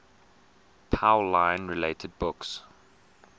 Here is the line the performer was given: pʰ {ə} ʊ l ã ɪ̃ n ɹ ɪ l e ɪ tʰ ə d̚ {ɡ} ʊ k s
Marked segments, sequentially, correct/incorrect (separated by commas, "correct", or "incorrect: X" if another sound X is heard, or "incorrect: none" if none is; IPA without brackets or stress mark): incorrect: a, incorrect: b